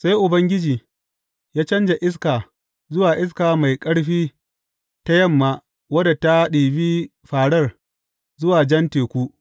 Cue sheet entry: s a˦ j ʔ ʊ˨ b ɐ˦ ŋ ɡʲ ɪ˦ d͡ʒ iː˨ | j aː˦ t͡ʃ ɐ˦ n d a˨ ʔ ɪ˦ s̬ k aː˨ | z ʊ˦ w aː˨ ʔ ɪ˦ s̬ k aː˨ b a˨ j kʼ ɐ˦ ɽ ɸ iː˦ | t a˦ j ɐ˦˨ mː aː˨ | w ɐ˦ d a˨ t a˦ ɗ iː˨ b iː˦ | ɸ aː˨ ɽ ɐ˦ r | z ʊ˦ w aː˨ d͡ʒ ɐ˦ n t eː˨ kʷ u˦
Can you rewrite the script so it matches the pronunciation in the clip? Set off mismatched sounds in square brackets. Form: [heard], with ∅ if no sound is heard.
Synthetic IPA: s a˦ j ʔ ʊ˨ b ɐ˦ ŋ ɡʲ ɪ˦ d͡ʒ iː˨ | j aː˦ t͡ʃ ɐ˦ n [d͡ʒ] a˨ ʔ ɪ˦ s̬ k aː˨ | z ʊ˦ w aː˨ ʔ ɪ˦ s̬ k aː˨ [m] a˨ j kʼ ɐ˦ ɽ ɸ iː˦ | t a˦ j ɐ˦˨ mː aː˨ | w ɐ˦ d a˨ t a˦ ɗ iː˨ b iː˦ | ɸ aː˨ ɽ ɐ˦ r | z ʊ˦ w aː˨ d͡ʒ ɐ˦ n t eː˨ kʷ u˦